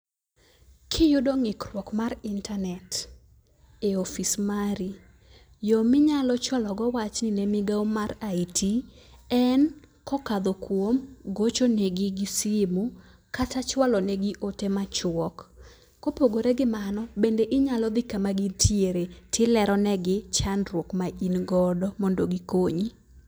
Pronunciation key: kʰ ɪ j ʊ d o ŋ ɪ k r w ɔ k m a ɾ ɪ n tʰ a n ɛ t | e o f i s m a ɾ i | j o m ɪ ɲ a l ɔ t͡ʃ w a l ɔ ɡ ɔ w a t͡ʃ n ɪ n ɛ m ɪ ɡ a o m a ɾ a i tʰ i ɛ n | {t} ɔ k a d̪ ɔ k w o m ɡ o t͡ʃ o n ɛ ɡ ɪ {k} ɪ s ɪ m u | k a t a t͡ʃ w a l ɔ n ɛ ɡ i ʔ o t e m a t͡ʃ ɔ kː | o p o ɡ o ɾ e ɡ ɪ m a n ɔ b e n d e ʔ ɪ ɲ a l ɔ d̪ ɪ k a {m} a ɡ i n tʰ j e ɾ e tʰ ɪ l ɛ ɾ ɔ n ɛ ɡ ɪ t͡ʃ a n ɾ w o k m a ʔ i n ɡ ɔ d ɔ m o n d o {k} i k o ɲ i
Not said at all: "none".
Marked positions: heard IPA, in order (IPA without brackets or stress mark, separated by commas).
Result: k, ɡ, m, ɡ